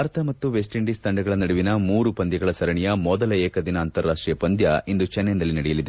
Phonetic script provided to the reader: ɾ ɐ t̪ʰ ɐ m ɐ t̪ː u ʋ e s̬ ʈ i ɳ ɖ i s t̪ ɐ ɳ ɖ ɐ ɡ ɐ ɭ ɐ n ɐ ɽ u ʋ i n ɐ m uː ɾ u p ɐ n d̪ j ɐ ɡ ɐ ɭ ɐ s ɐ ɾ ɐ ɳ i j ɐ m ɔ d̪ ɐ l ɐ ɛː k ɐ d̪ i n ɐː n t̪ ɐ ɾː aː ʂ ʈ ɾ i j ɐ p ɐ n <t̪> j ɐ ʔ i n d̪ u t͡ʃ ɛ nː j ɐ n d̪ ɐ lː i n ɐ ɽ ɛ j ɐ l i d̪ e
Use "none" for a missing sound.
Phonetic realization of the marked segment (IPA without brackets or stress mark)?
d̪